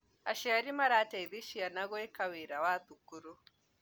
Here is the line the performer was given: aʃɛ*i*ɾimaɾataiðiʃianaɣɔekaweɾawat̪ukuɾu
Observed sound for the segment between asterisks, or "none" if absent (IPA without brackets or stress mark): a